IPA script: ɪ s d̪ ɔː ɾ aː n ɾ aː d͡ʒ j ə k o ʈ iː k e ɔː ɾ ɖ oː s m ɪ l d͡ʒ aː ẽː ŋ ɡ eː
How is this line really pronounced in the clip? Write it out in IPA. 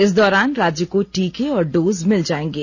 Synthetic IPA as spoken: ɪ s d̪ ɔː ɾ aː n ɾ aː d͡ʒ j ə k o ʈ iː k e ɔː ɾ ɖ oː z m ɪ l d͡ʒ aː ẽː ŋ ɡ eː